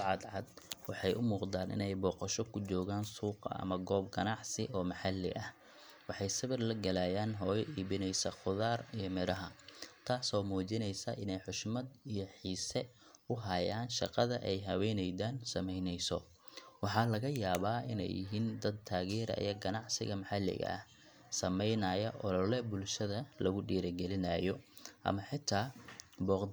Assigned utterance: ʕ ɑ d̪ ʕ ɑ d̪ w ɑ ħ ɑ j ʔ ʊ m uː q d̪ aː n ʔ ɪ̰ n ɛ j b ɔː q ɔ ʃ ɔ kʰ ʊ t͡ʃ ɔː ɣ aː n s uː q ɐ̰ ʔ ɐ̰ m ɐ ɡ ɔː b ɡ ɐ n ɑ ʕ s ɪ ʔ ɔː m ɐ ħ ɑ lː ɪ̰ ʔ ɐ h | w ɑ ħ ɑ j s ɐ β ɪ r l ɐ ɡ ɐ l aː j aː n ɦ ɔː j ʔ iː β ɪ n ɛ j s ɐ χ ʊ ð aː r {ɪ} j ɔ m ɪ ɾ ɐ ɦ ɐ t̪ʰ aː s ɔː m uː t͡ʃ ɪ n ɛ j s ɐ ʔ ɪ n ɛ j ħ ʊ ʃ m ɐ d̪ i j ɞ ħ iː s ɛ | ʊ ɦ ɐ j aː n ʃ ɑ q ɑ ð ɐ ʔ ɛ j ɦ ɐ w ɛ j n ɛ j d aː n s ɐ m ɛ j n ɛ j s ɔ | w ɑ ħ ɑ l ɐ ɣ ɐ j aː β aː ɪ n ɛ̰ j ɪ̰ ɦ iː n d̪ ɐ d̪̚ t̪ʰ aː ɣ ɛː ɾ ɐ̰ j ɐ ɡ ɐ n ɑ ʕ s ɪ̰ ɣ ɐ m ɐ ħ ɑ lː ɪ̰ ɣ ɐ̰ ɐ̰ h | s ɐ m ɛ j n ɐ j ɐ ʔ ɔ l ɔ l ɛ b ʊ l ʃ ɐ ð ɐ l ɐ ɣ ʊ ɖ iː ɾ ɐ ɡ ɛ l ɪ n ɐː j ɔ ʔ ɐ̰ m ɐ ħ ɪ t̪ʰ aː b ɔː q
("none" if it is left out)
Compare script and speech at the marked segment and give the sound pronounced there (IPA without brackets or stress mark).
i